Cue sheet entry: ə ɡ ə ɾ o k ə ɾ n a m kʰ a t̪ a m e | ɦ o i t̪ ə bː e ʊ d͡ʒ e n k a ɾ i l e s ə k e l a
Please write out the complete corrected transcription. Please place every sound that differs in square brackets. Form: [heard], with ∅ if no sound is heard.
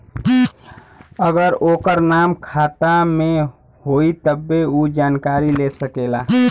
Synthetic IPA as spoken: ə ɡ ə ɾ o k ə ɾ n a m kʰ a t̪ a m e | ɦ o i t̪ ə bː e [u] d͡ʒ [a] n k a ɾ i l e s ə k e l a